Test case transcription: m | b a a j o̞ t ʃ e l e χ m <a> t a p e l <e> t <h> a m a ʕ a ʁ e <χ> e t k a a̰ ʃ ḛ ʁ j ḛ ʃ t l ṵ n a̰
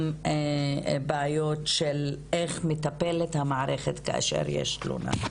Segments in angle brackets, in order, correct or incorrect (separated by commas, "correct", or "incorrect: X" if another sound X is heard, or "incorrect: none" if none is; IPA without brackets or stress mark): incorrect: e, correct, correct, correct